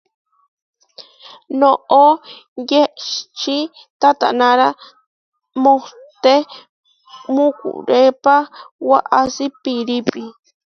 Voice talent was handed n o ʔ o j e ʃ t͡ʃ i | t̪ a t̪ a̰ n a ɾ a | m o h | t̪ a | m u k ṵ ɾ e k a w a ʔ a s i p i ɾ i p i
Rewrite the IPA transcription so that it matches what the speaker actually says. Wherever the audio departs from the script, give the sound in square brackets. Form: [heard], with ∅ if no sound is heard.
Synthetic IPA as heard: n o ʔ o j e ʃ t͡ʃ i | t̪ a t̪ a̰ n a ɾ a | m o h | t̪ [e] | m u k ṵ ɾ e [p] a w a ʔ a s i p i ɾ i p i